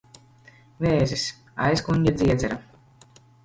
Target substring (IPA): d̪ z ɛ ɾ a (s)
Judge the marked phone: incorrect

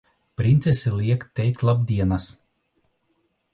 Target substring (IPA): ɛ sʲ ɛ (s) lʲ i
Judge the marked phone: incorrect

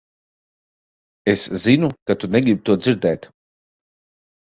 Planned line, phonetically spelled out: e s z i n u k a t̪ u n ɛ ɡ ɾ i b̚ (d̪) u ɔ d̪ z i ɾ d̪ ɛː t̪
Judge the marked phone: incorrect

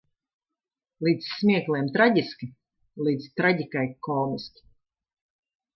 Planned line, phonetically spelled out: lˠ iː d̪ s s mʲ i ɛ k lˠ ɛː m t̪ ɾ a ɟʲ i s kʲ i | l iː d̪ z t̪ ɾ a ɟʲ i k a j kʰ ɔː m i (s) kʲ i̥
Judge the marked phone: correct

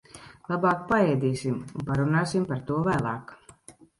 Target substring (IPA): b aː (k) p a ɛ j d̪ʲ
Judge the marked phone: correct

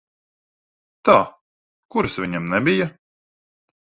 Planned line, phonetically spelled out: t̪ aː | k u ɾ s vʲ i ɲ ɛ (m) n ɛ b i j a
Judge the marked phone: correct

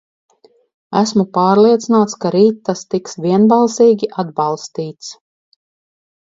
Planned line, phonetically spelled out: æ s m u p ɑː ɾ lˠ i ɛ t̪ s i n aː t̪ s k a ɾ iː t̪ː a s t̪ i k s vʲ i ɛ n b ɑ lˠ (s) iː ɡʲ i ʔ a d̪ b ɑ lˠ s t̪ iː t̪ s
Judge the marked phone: correct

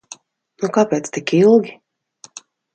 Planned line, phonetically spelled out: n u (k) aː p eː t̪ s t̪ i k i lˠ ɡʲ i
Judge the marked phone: correct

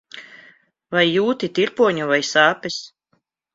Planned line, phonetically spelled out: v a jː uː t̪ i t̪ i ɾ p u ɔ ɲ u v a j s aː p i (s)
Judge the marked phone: correct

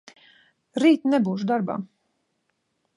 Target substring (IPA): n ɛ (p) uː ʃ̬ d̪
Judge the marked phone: incorrect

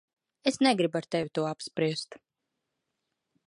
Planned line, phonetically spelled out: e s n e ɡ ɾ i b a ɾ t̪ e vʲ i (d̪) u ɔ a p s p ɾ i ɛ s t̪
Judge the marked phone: incorrect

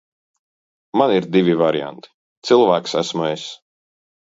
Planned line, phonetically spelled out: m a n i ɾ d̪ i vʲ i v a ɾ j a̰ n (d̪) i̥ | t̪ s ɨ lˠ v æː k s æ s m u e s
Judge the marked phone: incorrect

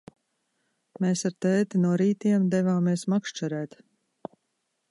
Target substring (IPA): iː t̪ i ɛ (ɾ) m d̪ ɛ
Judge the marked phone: incorrect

